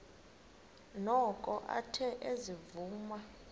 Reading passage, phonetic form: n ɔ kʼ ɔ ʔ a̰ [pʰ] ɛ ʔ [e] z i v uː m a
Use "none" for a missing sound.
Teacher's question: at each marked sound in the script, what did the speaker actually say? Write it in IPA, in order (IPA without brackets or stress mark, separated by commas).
tʰ, e